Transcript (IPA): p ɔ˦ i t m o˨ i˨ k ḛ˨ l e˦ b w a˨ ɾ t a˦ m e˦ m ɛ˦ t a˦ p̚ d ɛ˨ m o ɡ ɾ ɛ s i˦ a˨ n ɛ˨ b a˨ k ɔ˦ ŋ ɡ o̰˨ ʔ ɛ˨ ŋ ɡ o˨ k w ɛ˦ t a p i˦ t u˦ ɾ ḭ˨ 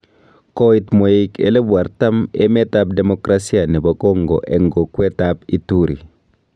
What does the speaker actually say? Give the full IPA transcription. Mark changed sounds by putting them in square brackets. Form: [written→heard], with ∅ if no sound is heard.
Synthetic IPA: [p→k] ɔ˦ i t m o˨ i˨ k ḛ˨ l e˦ b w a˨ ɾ t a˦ m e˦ m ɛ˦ t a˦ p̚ d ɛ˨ m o [ɡ→k] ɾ [ɛ→a] s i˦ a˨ n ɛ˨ b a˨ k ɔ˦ ŋ ɡ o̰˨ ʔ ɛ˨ ŋ ɡ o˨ k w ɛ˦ t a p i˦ t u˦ ɾ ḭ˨

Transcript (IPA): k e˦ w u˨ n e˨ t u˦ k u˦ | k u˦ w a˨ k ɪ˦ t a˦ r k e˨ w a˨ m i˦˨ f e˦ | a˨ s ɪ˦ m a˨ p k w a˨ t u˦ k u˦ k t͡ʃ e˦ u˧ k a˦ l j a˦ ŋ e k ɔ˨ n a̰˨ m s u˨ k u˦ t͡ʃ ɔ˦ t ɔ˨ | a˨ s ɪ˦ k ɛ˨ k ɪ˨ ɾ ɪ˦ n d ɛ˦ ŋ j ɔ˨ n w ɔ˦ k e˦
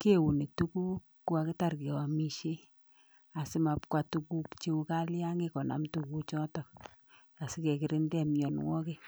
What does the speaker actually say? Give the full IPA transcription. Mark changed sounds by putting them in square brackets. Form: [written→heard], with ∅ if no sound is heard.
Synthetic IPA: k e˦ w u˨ n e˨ t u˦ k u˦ | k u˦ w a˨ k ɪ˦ t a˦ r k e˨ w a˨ m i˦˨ [f→ʃ] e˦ | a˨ s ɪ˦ m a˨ p k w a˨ t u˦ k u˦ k t͡ʃ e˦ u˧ k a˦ l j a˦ ŋ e k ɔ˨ n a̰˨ m [s→t] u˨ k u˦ t͡ʃ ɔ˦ t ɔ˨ | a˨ s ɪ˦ k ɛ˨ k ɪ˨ ɾ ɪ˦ n d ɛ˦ [ŋ→m] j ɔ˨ n w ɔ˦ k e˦

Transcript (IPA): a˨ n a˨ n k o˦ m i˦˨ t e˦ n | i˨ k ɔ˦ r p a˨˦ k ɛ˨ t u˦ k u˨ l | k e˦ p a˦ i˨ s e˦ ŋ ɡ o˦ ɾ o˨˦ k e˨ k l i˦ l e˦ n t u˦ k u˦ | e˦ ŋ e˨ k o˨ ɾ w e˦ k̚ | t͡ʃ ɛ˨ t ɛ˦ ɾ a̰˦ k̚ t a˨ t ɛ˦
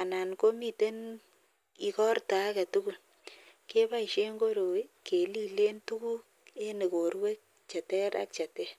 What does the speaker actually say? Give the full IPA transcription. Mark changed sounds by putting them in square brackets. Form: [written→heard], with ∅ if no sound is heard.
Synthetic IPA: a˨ n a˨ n k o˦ m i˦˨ t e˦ n | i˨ k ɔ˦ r [p→t] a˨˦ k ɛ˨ t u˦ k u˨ l | k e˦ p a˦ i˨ [s→ʃ] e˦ ŋ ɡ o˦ ɾ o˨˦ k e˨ [k→∅] l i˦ l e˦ n t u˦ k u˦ | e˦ [ŋ→n] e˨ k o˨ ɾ w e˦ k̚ | t͡ʃ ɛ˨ t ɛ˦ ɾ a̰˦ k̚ [t→t͡ʃ] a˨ t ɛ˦

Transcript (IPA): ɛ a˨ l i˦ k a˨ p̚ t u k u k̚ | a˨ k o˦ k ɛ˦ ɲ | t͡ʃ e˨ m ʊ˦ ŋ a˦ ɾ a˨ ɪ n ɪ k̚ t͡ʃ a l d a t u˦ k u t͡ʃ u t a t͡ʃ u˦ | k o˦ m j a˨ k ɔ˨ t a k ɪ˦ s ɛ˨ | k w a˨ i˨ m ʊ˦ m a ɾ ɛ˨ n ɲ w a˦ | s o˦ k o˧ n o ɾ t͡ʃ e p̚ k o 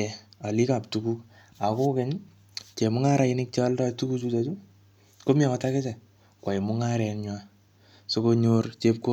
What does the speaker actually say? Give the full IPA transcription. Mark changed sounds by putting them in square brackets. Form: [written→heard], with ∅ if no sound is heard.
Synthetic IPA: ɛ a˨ l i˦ k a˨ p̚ t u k u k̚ | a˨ k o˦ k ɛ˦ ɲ | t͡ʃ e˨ m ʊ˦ ŋ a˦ ɾ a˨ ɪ n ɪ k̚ t͡ʃ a l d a t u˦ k u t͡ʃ u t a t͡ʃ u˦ | k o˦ m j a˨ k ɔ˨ t a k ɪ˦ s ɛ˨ | k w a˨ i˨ m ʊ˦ [m→ŋ] a ɾ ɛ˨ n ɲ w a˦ | s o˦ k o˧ [n→ɲ] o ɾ t͡ʃ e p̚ k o

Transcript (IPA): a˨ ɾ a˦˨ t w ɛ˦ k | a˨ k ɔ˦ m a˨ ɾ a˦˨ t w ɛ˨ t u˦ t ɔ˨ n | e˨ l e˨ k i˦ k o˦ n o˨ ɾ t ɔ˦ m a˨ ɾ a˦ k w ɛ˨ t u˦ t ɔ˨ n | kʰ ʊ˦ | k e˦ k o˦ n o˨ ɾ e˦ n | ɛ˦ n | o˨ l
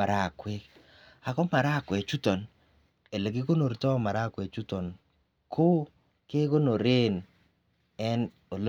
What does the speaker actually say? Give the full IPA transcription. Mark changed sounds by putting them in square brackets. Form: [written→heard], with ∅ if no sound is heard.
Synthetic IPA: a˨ ɾ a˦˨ [t→k] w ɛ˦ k | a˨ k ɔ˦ m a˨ ɾ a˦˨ [t→k] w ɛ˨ [t→t͡ʃ] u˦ t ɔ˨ n | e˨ l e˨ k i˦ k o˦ n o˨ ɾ t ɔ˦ m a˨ ɾ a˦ k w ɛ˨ [t→t͡ʃ] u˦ t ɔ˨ n | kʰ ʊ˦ | k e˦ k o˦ n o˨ ɾ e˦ n | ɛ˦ n | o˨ l

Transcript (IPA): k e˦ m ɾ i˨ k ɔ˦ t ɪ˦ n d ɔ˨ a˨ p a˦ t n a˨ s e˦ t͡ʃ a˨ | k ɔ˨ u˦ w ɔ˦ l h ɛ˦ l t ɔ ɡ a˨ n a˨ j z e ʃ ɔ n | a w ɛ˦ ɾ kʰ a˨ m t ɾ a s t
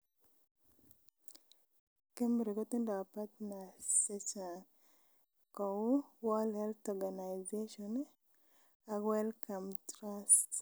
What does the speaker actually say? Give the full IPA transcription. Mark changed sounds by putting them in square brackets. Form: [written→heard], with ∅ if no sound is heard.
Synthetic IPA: k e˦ m ɾ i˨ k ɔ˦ t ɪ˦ n d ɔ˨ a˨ p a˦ t n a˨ s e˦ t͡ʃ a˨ | k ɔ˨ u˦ w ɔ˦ l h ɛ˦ l t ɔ ɡ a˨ n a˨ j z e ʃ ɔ n | a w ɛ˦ [ɾ→l] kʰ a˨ m t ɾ a s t

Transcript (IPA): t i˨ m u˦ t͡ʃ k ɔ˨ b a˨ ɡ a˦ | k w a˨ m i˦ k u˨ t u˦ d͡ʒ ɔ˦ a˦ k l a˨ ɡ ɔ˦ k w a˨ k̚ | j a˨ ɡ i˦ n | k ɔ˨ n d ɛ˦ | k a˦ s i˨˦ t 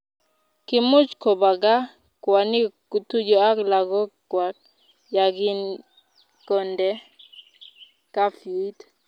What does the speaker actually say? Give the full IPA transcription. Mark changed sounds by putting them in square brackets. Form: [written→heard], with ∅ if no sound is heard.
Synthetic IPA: [t→k] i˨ m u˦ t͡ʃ k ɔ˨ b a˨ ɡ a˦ | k w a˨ [m→n] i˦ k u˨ t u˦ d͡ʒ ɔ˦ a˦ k l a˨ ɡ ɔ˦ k w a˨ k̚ | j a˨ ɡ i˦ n | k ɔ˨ n d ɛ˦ | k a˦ [s→f] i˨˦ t

